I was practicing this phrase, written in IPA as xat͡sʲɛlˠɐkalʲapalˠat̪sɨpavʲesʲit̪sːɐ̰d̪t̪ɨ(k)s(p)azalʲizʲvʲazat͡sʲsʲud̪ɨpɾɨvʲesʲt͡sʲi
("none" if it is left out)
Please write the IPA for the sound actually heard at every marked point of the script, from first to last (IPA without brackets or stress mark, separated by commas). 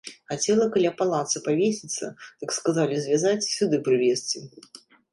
k, k